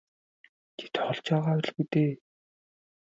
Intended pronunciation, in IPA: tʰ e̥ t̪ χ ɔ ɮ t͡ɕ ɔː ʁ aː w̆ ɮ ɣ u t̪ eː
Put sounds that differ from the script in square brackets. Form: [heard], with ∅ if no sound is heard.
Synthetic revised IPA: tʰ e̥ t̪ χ ɔ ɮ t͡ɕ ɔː ʁ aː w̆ ɮ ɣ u t̪ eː